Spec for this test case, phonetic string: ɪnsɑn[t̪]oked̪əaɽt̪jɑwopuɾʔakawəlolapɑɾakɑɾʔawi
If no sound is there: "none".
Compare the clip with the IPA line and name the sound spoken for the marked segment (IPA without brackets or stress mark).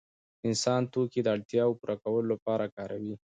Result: t̪